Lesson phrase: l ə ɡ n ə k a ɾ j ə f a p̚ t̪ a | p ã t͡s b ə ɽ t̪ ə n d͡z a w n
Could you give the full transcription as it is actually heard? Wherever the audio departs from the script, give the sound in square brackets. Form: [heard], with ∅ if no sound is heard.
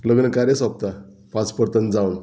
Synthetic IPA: l ə ɡ n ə k a ɾ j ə [s] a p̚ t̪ a | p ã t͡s [p] ə [ɾ] t̪ ə n d͡z a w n